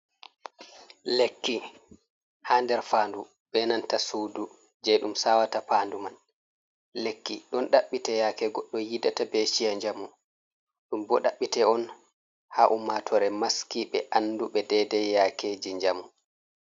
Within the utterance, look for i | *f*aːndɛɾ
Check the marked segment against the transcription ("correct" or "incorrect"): incorrect